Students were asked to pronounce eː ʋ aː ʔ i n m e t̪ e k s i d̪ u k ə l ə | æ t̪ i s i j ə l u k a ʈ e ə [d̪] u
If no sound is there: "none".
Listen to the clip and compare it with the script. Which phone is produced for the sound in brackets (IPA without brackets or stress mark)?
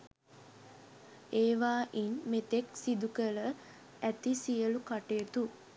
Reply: t̪